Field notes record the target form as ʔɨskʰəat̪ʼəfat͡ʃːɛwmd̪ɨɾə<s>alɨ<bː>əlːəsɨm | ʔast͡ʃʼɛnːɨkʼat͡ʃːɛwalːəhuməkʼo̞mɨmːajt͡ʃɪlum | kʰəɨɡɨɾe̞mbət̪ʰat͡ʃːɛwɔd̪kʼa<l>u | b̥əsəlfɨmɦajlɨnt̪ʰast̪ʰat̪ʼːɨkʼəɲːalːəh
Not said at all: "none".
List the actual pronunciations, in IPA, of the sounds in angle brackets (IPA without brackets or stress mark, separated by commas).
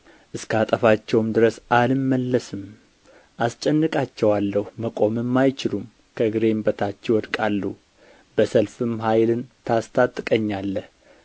s, mː, lː